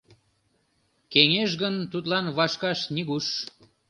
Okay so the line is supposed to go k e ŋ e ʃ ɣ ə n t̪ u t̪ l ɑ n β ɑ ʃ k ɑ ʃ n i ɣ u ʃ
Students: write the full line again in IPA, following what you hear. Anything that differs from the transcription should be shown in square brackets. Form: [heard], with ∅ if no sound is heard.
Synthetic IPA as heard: k e ŋ e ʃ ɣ ə n t̪ u t̪ l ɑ n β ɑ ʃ k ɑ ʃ n i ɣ u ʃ